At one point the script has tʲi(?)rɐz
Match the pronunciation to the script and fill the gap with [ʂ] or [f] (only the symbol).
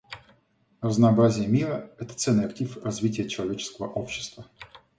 f